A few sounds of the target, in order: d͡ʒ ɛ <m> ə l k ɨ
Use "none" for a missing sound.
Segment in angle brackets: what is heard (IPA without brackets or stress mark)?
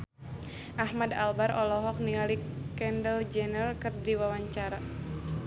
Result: n